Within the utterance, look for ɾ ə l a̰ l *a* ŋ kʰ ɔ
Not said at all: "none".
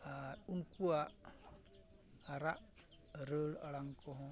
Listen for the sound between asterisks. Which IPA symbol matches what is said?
a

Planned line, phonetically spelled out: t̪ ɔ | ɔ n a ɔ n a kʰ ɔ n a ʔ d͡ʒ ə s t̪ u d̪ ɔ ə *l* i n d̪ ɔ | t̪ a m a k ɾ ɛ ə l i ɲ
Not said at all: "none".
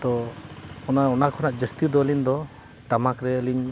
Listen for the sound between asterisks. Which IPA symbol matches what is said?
l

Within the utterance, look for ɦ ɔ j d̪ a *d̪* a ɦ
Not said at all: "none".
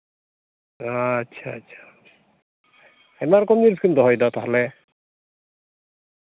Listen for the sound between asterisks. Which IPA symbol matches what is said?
t̪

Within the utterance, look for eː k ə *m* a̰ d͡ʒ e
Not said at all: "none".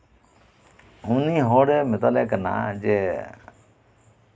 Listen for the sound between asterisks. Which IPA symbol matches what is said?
n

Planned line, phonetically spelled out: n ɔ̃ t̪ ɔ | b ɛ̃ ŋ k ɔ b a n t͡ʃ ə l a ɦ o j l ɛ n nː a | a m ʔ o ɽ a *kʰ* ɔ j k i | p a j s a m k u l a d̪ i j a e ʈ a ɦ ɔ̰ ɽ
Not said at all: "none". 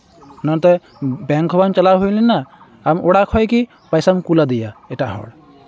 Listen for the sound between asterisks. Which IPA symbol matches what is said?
kʰ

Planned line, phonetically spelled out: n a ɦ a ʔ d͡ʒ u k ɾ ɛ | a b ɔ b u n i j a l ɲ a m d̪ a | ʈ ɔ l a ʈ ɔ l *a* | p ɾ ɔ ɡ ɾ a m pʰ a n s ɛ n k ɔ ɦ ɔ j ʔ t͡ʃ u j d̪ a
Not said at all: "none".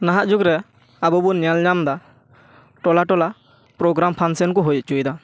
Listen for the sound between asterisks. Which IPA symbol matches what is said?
a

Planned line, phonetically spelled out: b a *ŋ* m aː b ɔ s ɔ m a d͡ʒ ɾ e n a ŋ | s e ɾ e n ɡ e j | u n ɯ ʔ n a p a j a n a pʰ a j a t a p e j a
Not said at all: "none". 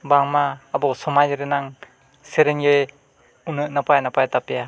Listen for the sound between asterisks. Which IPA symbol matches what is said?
ŋ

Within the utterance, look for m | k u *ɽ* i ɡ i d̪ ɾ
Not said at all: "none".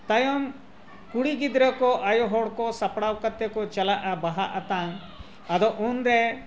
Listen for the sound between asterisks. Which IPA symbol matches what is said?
ɽ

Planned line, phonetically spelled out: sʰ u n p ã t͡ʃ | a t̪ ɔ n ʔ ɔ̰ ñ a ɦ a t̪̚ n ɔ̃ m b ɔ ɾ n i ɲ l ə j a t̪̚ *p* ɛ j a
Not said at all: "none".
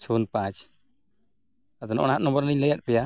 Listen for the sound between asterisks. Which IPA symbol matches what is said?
p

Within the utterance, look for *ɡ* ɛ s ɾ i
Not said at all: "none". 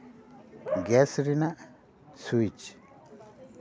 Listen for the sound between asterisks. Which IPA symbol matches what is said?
ɡ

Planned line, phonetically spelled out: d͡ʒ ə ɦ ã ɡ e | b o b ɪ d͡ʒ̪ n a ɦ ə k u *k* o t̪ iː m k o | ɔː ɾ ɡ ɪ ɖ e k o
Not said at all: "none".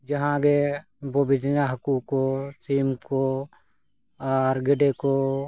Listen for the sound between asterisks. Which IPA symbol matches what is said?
k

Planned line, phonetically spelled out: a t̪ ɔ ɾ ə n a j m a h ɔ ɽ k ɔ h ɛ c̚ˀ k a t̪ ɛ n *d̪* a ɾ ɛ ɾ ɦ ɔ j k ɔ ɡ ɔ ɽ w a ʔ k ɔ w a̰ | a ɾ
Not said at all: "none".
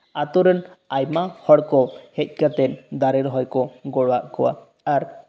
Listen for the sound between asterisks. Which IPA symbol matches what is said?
d̪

